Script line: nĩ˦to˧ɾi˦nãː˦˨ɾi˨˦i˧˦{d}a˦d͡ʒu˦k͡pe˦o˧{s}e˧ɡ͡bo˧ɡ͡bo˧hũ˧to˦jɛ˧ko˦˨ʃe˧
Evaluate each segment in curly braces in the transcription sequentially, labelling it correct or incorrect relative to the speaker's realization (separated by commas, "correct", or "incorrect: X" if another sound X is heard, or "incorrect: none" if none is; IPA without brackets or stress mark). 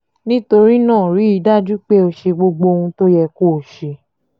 correct, incorrect: ʃ